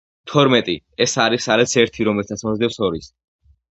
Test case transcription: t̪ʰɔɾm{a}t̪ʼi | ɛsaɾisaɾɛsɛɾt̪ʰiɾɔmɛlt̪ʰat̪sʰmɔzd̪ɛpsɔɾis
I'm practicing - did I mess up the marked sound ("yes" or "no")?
yes